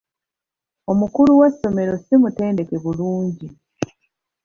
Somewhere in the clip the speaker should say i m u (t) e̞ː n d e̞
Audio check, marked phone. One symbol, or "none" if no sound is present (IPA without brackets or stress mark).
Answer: t